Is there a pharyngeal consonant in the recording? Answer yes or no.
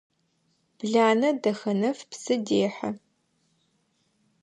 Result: yes